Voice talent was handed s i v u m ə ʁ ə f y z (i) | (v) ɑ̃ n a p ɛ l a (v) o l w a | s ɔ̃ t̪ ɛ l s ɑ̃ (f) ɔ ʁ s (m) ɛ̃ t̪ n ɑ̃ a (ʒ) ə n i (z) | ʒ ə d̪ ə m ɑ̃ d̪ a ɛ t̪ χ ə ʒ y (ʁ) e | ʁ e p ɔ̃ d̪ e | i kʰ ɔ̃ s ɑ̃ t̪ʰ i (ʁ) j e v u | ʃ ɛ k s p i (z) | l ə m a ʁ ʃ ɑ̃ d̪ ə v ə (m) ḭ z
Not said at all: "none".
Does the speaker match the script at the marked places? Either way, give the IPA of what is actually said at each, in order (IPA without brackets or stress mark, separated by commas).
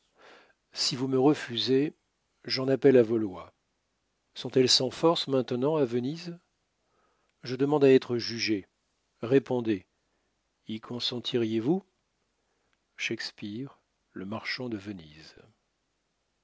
e, ʒ, v, f, m, v, z, ʒ, ʁ, ʁ, n